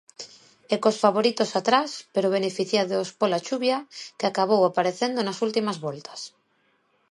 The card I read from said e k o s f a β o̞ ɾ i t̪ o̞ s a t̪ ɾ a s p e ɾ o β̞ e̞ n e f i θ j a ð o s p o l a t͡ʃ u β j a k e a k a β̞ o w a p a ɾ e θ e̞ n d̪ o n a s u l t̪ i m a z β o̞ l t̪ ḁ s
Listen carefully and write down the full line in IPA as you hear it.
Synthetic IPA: e k o s f a β o̞ ɾ i t̪ o̞ s a t̪ ɾ a s p e ɾ o β̞ e̞ n e f i θ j a ð o s p o l a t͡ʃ u β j a k e a k a β̞ o w a p a ɾ e θ e̞ n d̪ o n a s u l t̪ i m a z β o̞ l t̪ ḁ s